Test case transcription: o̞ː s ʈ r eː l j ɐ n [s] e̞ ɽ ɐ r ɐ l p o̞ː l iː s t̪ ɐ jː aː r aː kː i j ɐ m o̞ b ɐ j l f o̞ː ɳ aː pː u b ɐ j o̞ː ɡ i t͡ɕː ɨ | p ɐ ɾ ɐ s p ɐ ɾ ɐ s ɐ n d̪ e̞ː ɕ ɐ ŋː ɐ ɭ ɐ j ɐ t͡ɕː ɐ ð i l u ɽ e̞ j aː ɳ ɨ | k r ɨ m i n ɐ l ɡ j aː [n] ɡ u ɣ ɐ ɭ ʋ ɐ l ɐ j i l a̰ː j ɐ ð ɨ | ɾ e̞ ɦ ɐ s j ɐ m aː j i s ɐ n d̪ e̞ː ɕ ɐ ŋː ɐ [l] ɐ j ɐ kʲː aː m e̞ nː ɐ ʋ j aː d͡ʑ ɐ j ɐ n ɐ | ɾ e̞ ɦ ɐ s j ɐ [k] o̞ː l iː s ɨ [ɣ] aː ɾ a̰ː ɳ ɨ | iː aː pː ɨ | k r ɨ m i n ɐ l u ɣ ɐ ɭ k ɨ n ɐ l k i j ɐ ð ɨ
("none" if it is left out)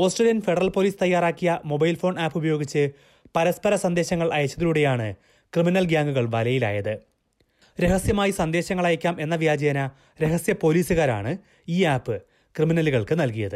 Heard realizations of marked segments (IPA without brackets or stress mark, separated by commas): f, ŋ, ɭ, p, ɣ